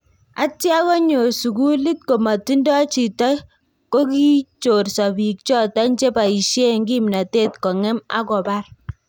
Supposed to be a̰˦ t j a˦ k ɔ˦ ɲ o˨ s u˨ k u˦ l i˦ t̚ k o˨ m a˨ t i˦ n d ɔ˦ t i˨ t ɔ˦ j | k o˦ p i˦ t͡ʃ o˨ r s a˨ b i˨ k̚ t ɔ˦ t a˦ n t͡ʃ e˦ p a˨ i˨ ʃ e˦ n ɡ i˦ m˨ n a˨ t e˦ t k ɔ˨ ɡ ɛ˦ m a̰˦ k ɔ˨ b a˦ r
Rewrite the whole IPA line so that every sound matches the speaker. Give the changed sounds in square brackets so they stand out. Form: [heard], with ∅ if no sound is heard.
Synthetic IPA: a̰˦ t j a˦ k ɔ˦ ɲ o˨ s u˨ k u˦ l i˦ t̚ k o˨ m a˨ t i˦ n d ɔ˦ [t͡ʃ] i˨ t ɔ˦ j | k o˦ [k] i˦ t͡ʃ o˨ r s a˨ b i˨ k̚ [t͡ʃ] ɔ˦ t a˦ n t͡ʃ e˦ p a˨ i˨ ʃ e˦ [ŋ] ɡ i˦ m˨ n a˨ t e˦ t k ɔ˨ [ŋ] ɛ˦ m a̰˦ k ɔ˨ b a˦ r